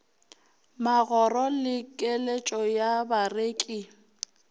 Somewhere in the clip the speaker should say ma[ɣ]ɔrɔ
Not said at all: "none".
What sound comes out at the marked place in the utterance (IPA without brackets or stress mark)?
ɣ